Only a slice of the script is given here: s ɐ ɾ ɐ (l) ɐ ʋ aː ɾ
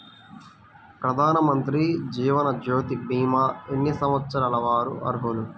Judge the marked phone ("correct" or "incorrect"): correct